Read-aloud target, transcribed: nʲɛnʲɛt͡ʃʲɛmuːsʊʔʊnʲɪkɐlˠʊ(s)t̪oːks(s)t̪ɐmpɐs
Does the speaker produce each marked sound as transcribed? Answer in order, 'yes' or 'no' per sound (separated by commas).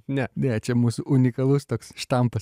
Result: yes, no